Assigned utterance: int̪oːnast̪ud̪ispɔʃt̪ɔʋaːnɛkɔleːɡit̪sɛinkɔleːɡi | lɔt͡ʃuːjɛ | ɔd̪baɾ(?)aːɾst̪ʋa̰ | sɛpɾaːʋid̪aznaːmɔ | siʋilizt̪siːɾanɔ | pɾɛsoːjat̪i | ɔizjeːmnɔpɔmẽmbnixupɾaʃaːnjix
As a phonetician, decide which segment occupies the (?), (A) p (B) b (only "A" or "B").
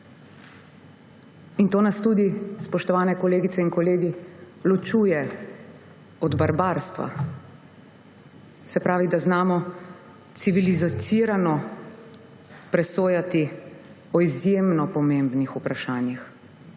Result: B